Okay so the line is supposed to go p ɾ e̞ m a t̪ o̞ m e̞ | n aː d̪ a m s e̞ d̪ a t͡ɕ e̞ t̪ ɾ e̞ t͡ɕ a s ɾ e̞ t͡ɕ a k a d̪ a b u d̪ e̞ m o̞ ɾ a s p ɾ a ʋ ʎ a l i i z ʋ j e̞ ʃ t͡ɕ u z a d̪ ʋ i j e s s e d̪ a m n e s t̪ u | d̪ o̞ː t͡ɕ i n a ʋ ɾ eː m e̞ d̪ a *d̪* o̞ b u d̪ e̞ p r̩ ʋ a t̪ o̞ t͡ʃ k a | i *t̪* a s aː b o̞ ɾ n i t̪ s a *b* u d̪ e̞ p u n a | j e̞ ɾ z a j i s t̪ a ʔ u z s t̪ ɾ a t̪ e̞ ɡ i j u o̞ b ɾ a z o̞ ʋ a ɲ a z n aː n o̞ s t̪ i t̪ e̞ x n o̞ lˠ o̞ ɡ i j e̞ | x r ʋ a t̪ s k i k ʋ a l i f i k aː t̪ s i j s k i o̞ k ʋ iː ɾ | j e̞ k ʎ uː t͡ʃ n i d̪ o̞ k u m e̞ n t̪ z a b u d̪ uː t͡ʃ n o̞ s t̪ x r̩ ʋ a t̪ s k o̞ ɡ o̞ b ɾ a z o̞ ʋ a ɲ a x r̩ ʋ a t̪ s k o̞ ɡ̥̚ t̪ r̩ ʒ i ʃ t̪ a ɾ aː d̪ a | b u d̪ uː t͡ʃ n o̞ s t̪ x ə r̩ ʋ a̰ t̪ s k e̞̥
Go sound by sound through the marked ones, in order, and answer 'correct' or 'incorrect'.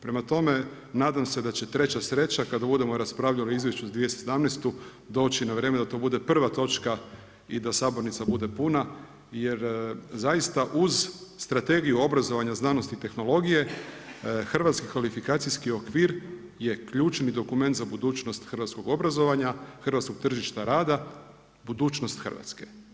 incorrect: t̪, incorrect: d̪, correct

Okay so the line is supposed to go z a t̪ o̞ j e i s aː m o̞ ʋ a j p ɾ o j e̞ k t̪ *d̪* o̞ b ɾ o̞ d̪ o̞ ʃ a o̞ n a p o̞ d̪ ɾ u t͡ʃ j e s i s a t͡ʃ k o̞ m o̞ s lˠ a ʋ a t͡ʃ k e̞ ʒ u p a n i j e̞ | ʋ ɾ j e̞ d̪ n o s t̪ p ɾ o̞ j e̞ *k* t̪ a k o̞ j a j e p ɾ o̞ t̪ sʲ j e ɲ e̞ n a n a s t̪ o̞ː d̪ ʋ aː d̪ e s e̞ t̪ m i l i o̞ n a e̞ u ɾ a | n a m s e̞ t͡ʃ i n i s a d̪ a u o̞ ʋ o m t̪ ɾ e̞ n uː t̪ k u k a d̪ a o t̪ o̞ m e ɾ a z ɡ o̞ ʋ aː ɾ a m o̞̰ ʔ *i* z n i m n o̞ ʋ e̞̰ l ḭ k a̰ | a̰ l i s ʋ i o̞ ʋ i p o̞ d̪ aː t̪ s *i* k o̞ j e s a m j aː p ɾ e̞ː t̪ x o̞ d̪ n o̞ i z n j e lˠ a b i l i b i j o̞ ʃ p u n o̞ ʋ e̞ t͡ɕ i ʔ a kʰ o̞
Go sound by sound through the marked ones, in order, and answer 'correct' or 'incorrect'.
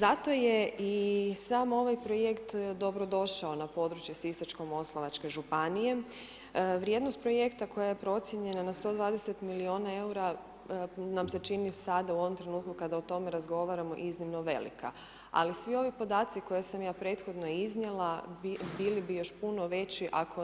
correct, correct, correct, correct

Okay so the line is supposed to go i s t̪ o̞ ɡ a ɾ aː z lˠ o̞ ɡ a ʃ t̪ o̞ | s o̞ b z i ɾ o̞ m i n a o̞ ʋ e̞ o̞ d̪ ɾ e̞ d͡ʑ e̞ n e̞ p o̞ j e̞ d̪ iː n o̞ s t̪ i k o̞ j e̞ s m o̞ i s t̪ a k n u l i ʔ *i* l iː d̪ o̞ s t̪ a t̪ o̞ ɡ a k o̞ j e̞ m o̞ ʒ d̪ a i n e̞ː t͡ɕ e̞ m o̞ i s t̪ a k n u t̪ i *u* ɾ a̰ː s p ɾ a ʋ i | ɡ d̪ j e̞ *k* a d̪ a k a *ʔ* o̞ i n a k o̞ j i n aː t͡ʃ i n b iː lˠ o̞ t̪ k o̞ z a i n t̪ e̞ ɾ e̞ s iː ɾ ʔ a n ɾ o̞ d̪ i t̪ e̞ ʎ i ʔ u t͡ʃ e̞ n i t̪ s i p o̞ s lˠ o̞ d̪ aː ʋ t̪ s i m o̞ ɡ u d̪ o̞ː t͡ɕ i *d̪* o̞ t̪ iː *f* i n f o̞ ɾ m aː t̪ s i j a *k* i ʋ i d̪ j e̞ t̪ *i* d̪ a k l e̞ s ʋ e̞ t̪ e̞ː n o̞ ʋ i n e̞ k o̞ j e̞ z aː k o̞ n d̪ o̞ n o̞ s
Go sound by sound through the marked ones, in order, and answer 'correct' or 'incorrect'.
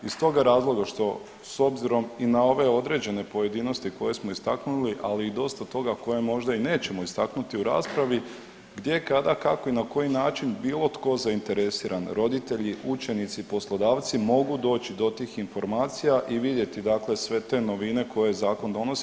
incorrect: a, correct, correct, incorrect: k, correct, incorrect: x, incorrect: ʔ, correct

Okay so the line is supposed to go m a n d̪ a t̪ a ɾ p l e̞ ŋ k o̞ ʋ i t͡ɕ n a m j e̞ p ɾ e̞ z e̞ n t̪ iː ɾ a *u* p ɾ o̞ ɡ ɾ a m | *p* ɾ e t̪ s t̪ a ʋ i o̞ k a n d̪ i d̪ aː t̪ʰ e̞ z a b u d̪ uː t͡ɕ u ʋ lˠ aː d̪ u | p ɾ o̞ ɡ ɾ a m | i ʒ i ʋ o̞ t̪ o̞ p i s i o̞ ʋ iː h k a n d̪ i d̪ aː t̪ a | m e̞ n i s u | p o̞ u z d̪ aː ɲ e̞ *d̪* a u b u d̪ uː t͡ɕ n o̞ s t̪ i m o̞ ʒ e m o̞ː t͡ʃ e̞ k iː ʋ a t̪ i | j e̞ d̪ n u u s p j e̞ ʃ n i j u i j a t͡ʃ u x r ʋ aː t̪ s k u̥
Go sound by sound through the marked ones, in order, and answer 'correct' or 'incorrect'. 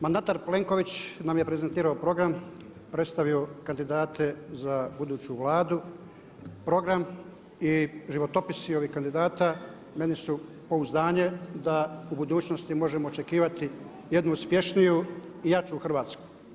incorrect: o, correct, correct

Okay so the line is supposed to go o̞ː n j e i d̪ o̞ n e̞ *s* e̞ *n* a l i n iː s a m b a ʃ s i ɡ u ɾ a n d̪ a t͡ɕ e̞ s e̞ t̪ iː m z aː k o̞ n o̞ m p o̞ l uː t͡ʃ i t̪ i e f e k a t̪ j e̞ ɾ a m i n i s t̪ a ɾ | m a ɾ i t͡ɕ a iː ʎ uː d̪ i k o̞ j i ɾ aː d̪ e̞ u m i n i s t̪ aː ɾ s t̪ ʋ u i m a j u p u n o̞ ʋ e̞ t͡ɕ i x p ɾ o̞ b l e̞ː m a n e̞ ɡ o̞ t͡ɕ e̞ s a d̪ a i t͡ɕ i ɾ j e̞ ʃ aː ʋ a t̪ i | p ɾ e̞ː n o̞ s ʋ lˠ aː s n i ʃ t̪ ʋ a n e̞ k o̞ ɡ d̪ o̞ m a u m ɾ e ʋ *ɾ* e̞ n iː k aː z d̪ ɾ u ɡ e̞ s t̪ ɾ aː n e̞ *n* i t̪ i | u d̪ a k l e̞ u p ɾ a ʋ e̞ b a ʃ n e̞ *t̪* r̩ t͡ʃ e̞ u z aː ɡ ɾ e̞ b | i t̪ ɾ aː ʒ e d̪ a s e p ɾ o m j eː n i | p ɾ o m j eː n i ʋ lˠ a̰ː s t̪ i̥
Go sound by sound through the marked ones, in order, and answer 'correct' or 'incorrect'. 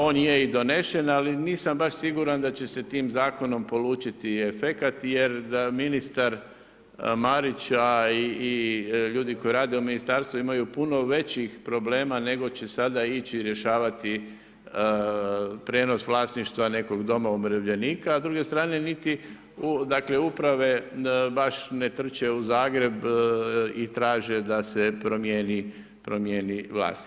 incorrect: ʃ, correct, incorrect: ʎ, correct, correct

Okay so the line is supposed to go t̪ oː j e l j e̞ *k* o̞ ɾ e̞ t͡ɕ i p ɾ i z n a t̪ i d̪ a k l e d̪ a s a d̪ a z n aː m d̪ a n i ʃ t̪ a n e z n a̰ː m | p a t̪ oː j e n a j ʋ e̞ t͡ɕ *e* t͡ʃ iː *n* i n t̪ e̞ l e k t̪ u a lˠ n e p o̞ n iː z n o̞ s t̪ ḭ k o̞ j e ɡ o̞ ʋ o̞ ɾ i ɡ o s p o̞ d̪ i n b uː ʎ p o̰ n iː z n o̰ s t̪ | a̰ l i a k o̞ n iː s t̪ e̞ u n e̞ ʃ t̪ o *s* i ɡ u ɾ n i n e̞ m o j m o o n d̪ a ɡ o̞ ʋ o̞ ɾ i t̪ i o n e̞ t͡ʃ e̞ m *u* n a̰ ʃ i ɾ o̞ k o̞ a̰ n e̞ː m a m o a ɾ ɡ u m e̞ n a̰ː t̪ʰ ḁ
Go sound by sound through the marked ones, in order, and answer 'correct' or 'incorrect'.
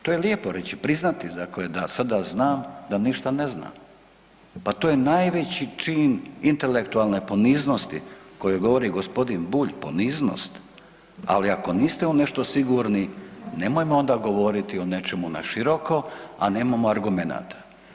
incorrect: p, incorrect: i, correct, correct, correct

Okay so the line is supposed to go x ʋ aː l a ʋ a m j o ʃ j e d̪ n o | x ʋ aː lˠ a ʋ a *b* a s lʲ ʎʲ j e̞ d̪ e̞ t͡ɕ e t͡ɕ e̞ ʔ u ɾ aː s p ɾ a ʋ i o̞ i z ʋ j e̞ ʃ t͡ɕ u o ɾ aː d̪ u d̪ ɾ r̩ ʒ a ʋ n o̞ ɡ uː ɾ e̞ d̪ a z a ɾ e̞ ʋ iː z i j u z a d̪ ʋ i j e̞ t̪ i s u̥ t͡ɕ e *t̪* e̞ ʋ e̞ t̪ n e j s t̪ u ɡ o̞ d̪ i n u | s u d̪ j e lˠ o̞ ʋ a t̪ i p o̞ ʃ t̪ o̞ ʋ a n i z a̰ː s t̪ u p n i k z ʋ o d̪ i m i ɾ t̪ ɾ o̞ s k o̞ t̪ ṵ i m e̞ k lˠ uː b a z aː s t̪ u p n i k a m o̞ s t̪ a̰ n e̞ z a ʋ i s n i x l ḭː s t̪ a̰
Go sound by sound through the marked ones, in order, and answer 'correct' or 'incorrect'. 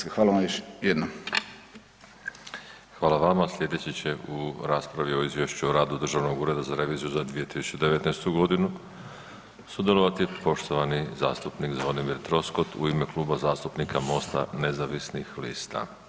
incorrect: m, incorrect: d̪

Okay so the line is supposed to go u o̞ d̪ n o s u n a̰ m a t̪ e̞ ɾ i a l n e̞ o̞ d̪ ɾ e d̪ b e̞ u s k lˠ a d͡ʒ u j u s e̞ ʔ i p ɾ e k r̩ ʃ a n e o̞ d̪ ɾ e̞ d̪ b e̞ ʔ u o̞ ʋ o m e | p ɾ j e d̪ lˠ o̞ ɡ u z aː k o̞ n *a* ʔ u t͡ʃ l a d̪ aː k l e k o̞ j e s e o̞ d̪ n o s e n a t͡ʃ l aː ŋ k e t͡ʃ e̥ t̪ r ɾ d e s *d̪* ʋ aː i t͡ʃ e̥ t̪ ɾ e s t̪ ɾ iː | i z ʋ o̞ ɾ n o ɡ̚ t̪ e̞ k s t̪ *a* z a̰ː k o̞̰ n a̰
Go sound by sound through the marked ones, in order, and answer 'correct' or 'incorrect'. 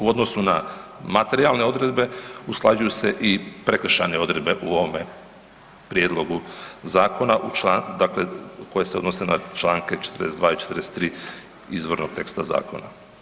correct, correct, correct

